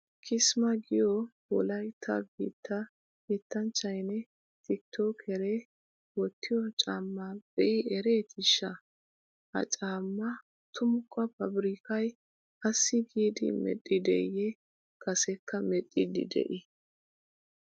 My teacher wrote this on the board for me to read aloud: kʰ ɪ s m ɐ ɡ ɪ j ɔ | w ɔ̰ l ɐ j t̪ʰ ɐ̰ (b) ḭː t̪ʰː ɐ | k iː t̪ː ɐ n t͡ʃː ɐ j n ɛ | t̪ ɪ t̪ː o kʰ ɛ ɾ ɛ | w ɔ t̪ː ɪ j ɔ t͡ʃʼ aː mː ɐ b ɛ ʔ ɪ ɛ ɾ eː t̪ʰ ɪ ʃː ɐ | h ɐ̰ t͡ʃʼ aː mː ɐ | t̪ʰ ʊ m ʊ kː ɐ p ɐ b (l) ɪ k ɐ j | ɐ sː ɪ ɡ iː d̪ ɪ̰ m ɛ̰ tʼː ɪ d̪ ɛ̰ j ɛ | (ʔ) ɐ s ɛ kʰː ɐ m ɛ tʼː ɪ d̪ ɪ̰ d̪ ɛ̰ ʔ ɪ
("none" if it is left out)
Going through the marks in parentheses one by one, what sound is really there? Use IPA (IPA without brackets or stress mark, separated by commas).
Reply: ɡ, ɾ, k